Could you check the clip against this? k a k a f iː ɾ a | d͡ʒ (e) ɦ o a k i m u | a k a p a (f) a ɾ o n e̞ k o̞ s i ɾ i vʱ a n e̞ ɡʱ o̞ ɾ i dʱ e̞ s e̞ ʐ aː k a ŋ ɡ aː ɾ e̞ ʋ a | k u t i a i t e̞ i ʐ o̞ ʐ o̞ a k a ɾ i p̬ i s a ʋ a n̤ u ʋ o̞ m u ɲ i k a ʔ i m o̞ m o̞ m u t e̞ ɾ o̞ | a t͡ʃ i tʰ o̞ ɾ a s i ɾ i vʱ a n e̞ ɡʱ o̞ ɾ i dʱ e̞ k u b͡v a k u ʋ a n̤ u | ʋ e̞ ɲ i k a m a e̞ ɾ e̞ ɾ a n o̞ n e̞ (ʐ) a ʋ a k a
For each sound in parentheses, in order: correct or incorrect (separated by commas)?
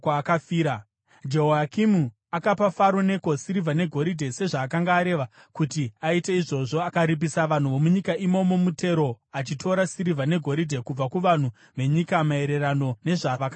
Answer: correct, correct, correct